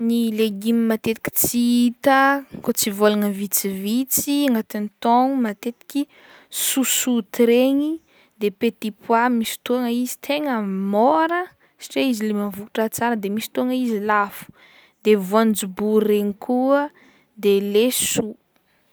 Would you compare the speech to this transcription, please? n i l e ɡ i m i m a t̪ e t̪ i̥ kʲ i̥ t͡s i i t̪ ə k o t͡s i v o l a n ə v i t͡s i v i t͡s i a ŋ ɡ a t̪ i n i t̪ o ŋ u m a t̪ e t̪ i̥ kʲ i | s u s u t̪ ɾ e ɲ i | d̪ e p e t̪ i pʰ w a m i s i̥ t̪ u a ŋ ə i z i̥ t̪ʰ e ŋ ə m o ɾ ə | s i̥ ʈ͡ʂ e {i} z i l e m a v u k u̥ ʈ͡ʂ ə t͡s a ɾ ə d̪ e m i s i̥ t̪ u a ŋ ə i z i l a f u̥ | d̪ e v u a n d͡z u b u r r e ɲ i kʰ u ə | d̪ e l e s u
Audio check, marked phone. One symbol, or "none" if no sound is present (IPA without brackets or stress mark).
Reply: i